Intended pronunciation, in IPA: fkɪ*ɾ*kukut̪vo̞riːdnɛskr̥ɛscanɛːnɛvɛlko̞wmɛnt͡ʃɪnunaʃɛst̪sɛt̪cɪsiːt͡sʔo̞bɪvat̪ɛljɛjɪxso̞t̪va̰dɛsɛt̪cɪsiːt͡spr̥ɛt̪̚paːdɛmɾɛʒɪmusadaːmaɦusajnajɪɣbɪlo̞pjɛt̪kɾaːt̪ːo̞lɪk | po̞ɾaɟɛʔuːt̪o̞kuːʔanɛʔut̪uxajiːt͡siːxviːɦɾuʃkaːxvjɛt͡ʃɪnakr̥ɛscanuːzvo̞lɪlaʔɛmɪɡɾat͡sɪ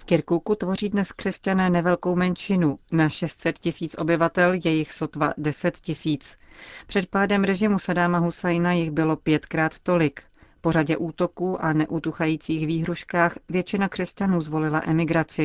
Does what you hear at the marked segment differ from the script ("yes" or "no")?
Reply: no